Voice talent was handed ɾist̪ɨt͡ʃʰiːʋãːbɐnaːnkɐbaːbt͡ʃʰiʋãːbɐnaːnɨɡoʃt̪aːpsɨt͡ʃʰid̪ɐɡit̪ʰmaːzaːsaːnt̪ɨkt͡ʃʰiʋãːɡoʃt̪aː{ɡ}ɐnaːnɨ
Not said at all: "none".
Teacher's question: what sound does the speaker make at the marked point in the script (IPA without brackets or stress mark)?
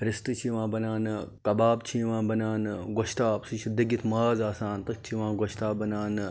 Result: b